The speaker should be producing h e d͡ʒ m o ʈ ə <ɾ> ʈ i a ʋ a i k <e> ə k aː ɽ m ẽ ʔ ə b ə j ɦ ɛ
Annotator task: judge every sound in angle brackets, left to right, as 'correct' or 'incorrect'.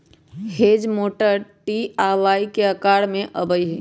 correct, correct

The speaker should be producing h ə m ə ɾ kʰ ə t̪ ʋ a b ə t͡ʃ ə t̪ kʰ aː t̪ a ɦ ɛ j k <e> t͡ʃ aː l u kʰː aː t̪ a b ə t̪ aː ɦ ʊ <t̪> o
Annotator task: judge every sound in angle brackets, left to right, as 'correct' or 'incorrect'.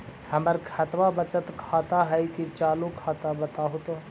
incorrect, correct

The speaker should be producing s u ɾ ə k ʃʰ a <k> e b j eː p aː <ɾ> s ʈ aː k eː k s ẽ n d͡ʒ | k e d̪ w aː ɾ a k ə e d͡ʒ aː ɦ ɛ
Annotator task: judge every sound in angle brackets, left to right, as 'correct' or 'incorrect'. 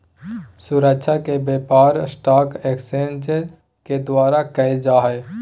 correct, correct

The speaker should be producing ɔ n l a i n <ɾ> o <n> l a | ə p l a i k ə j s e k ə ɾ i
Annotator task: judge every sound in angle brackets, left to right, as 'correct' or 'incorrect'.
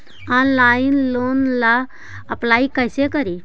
incorrect, correct

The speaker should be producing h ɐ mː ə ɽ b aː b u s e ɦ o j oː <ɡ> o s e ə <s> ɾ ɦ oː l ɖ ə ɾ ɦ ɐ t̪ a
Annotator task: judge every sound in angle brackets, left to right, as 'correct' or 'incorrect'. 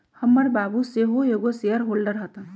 correct, incorrect

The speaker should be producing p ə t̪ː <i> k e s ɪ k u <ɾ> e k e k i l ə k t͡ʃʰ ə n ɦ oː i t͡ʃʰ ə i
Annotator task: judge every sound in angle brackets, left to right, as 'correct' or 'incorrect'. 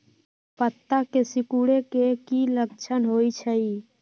incorrect, incorrect

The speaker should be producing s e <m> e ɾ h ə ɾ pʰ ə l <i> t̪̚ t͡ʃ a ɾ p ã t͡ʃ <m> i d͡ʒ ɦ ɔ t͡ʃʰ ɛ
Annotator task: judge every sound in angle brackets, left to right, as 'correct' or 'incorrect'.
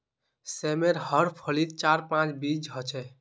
correct, correct, incorrect

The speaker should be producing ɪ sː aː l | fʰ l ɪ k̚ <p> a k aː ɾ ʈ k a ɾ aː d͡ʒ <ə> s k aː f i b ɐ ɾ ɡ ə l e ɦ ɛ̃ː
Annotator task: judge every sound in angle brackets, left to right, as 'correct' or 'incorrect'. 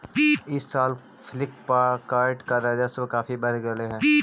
correct, incorrect

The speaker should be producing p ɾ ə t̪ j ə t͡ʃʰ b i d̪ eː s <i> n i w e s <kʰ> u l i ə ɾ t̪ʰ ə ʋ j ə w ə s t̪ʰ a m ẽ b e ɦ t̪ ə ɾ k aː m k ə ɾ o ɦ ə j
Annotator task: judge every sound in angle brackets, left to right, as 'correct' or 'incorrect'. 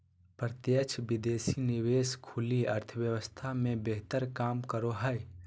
correct, correct

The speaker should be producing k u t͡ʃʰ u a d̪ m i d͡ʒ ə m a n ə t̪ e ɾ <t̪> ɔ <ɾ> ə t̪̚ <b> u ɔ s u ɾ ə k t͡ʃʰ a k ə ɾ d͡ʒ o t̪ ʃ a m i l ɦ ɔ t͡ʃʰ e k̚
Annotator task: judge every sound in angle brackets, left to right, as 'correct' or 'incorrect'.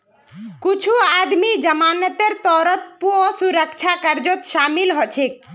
correct, correct, incorrect

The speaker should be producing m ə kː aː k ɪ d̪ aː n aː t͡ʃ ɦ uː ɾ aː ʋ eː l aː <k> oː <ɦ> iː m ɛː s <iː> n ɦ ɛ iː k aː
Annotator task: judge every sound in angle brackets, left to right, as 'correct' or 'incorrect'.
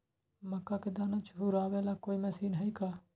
correct, incorrect, correct

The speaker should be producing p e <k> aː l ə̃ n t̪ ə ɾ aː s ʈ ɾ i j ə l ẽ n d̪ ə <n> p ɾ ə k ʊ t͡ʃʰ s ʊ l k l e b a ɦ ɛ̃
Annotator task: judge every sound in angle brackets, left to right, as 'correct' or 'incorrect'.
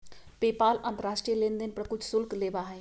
incorrect, correct

